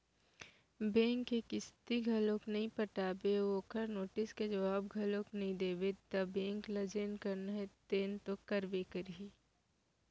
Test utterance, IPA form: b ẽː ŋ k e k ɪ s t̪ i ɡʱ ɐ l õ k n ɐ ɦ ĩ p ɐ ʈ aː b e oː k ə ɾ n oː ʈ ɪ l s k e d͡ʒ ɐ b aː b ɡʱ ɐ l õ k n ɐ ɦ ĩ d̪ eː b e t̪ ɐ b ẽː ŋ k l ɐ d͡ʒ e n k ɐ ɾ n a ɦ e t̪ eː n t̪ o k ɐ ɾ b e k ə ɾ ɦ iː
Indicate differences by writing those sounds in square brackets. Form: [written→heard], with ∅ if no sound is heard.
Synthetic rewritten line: b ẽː ŋ k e k ɪ s t̪ i ɡʱ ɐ l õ k n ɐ ɦ ĩ p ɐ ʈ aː b e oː k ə ɾ n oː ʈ ɪ [l→∅] s k e d͡ʒ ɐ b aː b ɡʱ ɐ l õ k n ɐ ɦ ĩ d̪ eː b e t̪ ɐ b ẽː ŋ k l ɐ d͡ʒ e n k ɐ ɾ n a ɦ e t̪ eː n t̪ o k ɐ ɾ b e k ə ɾ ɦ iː